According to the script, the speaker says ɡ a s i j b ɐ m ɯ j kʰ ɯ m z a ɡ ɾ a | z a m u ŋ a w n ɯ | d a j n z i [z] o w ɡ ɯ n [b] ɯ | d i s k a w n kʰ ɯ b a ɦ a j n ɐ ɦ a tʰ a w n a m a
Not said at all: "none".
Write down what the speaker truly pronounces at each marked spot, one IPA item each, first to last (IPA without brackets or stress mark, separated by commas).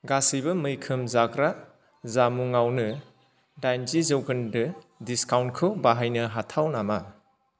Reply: z, d